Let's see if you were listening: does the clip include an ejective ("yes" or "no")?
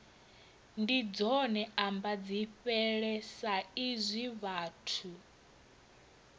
no